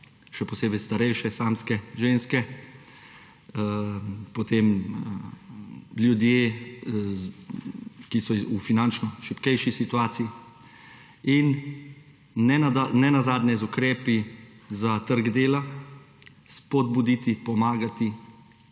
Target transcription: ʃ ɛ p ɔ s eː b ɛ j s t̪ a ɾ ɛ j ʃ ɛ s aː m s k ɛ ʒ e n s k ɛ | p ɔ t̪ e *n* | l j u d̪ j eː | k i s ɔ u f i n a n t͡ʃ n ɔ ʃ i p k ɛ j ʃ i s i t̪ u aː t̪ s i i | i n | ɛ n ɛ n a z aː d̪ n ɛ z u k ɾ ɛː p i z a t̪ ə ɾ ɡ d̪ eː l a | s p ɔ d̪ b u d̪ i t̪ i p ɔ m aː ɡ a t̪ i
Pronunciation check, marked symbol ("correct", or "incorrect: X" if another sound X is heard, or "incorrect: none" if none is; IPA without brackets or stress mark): incorrect: m